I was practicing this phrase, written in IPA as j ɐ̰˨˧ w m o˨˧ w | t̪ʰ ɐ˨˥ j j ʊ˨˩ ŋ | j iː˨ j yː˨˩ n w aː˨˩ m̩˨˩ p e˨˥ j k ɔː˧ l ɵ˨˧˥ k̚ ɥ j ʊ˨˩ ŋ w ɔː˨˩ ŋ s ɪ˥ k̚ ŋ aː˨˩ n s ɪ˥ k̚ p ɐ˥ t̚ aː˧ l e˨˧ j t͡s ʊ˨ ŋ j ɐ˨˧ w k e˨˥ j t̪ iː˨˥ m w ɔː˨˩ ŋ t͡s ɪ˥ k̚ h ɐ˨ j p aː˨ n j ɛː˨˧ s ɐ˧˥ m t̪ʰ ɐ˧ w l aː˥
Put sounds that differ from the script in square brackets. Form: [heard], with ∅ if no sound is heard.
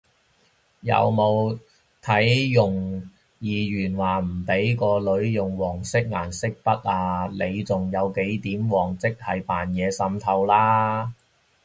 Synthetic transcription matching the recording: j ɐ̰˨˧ w m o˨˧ w | t̪ʰ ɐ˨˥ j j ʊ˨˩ ŋ | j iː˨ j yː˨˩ n w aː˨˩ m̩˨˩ p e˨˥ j k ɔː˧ l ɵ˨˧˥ [∅] ɥ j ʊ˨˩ ŋ w ɔː˨˩ ŋ s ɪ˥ k̚ ŋ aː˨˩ n s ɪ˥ k̚ p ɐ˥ t̚ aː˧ l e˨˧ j t͡s ʊ˨ ŋ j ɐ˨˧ w k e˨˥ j t̪ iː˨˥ m w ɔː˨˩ ŋ t͡s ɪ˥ k̚ h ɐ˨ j p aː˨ n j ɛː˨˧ s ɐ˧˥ m t̪ʰ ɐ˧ w l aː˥